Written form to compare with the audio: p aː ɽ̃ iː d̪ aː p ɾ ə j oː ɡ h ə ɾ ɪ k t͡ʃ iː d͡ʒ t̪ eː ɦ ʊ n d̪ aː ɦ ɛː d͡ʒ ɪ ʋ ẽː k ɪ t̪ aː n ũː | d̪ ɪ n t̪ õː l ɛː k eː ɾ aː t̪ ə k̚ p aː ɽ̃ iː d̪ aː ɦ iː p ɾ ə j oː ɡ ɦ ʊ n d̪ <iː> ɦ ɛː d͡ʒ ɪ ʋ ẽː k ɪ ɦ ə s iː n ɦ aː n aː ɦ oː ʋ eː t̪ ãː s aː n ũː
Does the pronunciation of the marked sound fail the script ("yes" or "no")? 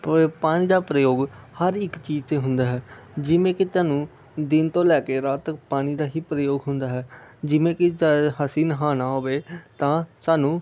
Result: yes